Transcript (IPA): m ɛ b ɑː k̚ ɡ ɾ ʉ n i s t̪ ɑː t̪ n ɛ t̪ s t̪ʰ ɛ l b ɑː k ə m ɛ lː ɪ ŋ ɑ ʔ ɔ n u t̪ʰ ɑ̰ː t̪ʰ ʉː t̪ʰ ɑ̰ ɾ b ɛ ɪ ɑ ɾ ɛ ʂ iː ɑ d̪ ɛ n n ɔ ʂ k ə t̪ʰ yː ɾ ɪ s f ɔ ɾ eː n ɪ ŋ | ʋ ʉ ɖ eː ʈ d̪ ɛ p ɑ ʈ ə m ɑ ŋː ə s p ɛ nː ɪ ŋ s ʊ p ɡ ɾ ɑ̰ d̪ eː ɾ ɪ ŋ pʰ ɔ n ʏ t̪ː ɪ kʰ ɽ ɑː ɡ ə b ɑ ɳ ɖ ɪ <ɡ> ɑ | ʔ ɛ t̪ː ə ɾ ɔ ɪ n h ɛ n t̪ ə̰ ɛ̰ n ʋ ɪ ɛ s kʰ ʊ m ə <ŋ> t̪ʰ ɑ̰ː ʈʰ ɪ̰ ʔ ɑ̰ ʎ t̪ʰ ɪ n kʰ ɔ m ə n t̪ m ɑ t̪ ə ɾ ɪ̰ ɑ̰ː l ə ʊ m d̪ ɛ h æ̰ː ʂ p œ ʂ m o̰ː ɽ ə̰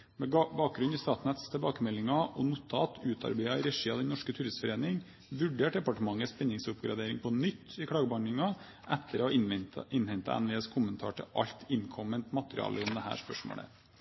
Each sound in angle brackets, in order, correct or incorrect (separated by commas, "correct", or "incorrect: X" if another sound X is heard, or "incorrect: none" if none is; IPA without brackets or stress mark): incorrect: ŋ, incorrect: n